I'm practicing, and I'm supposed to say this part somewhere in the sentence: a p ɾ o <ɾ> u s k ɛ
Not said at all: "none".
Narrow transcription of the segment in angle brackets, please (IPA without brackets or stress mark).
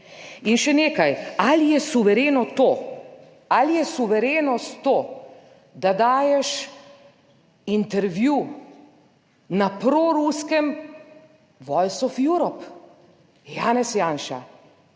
ɾ